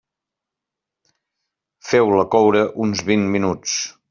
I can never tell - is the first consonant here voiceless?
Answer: yes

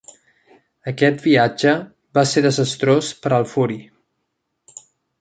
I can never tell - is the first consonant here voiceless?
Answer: yes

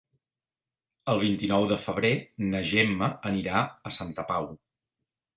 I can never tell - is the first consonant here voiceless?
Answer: no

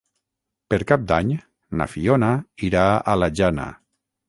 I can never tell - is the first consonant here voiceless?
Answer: yes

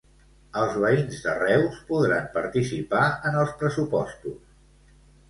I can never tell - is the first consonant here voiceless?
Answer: no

